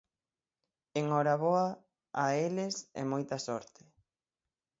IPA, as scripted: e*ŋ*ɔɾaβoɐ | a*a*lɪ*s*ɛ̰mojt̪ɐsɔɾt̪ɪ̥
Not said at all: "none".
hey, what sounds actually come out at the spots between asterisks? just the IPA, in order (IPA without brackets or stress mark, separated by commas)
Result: ŋ, e, s